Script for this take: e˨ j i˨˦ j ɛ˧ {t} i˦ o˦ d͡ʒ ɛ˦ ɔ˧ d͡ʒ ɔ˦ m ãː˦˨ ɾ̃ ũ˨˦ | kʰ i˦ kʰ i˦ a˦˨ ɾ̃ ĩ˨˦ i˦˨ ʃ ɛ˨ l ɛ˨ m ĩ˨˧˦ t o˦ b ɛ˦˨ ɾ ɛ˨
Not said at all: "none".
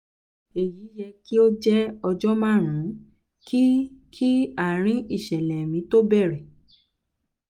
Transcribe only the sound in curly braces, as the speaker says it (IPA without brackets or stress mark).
k